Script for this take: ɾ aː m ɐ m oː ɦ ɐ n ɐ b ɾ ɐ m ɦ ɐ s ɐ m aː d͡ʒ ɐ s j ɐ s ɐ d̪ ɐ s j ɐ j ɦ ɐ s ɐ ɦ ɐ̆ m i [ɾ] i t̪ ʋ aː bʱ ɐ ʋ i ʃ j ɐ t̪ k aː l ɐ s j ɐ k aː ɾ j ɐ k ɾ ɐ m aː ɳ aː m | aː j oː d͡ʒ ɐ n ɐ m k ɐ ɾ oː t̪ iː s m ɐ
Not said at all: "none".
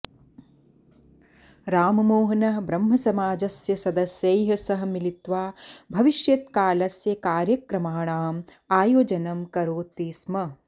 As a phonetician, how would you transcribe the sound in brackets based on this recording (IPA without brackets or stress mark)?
l